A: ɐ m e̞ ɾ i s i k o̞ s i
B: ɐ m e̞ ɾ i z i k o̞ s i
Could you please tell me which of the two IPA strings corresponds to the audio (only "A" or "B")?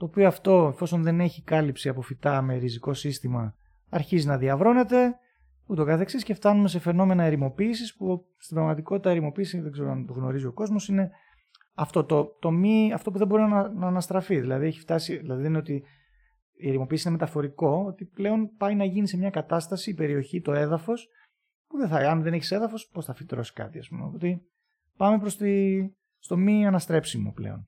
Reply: B